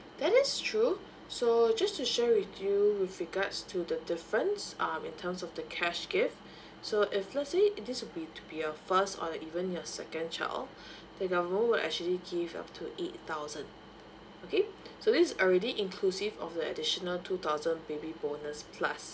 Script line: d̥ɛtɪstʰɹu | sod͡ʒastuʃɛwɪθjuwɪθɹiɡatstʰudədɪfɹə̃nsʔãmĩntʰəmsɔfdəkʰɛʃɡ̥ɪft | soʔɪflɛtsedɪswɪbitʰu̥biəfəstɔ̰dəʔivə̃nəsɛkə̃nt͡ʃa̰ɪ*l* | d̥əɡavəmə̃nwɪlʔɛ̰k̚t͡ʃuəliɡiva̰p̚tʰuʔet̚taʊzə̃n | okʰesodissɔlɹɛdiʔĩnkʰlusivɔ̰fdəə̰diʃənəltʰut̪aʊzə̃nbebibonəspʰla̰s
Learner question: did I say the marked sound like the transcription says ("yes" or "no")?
yes